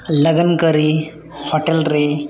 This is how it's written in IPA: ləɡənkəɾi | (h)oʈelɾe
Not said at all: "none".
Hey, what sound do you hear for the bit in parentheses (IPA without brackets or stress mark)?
h